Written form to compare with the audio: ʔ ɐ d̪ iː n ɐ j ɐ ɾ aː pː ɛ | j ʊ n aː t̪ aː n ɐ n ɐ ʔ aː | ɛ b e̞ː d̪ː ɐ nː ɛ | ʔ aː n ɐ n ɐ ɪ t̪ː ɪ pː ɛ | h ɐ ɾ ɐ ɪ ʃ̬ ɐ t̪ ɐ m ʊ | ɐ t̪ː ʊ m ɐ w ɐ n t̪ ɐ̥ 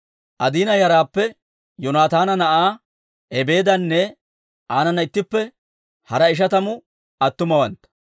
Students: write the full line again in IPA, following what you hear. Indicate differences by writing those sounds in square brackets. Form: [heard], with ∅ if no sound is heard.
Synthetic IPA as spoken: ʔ ɐ d̪ iː n ɐ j ɐ ɾ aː pː ɛ | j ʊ n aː t̪ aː n ɐ n ɐ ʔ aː | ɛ b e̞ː [d̪] ɐ nː ɛ | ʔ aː n ɐ n ɐ ɪ t̪ː ɪ pː ɛ | h ɐ ɾ ɐ ɪ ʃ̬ ɐ t̪ ɐ m ʊ | ɐ t̪ː ʊ m ɐ w ɐ n t̪ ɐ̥